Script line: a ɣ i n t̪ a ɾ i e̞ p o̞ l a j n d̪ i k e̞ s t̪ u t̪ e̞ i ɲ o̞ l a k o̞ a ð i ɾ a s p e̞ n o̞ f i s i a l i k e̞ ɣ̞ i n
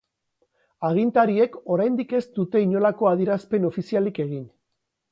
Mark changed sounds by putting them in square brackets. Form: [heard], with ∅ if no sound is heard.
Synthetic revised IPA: a ɣ i n t̪ a ɾ i e̞ [k] o̞ [ɾ] a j n d̪ i k e̞ s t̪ u t̪ e̞ i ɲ o̞ l a k o̞ a ð i ɾ a s p e̞ n o̞ f i s i a l i k e̞ ɣ̞ i n